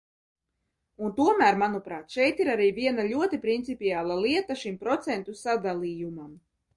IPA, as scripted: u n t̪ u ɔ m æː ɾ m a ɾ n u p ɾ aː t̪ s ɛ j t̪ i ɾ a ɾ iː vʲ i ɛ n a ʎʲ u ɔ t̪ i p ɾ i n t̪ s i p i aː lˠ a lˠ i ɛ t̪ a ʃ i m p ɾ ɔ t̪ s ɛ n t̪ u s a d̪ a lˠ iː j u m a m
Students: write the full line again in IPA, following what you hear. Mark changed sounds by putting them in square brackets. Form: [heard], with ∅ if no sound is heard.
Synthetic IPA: u n t̪ u ɔ m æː ɾ m a [∅] n u p ɾ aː t̪ [ʃ] ɛ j t̪ i ɾ a ɾ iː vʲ i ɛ n a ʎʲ u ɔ t̪ i p ɾ i n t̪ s i p i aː lˠ a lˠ i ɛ t̪ a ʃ i m p ɾ ɔ t̪ s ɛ n t̪ u s a d̪ a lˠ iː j u m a m

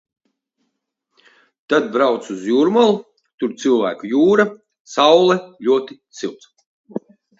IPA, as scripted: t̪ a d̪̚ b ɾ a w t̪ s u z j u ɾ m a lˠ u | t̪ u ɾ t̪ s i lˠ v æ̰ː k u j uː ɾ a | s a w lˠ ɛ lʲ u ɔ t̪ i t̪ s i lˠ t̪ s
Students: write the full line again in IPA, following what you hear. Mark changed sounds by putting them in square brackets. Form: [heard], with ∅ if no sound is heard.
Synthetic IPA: t̪ a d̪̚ b ɾ a w t̪ s u z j u ɾ m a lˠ u | t̪ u ɾ t̪ s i lˠ v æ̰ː k u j uː ɾ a | s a w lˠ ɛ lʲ u ɔ t̪ i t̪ s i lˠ t̪ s

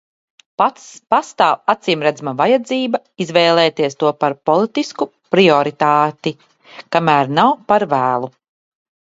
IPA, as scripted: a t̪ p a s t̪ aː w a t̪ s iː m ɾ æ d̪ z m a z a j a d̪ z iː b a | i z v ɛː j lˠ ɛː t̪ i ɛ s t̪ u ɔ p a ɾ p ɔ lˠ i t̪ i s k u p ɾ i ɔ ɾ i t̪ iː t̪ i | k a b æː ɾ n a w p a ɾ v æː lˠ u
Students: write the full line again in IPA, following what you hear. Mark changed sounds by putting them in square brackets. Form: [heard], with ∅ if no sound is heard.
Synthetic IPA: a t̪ p a s t̪ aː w a t̪ s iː m ɾ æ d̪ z m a [v] a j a d̪ z iː b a | i z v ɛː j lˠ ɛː t̪ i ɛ s t̪ u ɔ p a ɾ p ɔ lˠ i t̪ i s k u p ɾ i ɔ ɾ i t̪ [aː] t̪ i | k a [m] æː ɾ n a w p a ɾ v æː lˠ u

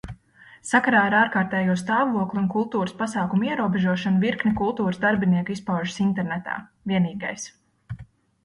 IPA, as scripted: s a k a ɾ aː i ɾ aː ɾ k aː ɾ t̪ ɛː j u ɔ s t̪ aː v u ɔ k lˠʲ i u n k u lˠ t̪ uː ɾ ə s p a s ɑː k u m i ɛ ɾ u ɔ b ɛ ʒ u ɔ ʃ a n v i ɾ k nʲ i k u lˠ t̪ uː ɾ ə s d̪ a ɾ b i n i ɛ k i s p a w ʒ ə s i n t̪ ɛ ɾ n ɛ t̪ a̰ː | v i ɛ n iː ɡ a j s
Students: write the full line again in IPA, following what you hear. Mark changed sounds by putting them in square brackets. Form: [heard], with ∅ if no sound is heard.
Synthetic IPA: s a k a ɾ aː i ɾ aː ɾ k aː ɾ t̪ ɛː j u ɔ s t̪ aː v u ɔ k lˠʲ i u n k u lˠ t̪ uː ɾ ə s p a s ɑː k u m i ɛ ɾ u ɔ b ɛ ʒ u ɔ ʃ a n v i ɾ k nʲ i k u lˠ t̪ uː ɾ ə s d̪ a ɾ b i n i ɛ k i s p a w ʒ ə s i n t̪ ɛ ɾ n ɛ t̪ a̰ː | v i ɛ n iː ɡ a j s

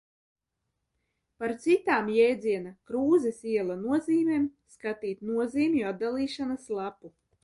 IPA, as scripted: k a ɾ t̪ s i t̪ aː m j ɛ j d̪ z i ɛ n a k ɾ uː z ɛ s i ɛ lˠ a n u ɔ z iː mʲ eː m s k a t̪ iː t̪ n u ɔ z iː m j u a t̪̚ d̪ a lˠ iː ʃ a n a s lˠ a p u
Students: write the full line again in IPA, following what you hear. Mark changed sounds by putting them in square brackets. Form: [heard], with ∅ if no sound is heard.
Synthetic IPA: [p] a ɾ t̪ s i t̪ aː m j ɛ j d̪ z i ɛ n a k ɾ uː z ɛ s i ɛ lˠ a n u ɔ z iː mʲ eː m s k a t̪ iː t̪ n u ɔ z iː m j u a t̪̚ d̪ a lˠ iː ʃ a n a s lˠ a p u

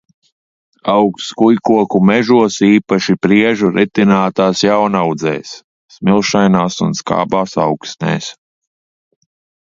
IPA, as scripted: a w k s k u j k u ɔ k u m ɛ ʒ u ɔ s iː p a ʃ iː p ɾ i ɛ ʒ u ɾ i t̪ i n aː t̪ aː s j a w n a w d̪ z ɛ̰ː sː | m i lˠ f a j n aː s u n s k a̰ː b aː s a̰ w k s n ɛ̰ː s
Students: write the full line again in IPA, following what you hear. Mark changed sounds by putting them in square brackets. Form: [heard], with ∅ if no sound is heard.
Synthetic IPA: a w k s k u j k u ɔ k u m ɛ ʒ u ɔ s iː p a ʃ [i] p ɾ i ɛ ʒ u ɾ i t̪ i n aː t̪ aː s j a w n a w d̪ z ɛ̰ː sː | m i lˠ [ʃ] a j n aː s u n s k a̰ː b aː s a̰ w k s n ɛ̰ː s

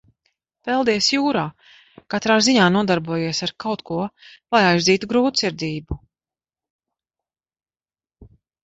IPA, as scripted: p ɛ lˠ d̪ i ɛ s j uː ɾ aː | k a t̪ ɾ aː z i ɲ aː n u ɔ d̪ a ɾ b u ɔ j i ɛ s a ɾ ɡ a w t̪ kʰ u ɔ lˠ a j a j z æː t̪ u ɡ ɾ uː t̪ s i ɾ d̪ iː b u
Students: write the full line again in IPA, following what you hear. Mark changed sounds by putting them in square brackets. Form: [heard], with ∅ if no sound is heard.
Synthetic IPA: p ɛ lˠ d̪ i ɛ s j uː ɾ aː | k a t̪ ɾ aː z i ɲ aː n u ɔ d̪ a ɾ b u ɔ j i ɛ s a ɾ [k] a w t̪ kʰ u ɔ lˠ a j a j z [iː] t̪ u ɡ ɾ uː t̪ s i ɾ d̪ iː b u

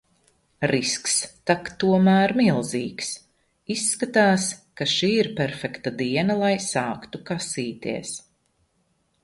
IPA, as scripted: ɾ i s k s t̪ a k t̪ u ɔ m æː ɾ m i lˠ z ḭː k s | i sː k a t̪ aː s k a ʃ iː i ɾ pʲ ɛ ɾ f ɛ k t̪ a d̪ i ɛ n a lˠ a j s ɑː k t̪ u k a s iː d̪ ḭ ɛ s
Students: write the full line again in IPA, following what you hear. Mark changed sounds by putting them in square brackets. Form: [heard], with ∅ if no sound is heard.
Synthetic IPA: ɾ i s k s t̪ a k t̪ u ɔ m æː ɾ m i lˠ z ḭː k s | i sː k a t̪ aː s k a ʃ iː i ɾ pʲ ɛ ɾ f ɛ k t̪ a d̪ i ɛ n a lˠ a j s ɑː k t̪ u k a s iː [t̪] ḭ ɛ s

